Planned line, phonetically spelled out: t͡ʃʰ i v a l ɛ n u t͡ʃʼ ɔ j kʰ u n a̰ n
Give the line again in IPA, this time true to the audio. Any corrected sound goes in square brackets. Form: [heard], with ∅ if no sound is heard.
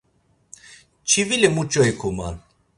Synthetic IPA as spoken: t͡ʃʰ i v [i] l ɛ [m] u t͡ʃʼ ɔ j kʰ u [m] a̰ n